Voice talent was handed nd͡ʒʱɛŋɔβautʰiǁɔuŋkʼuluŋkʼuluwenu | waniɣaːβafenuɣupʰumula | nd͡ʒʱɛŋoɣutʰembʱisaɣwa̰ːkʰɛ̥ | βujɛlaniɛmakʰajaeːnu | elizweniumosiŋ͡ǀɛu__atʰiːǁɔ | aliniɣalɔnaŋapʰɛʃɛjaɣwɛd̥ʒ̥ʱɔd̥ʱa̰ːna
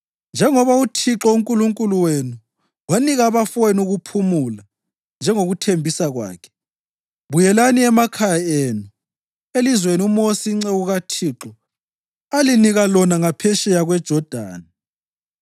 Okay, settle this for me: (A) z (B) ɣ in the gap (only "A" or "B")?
B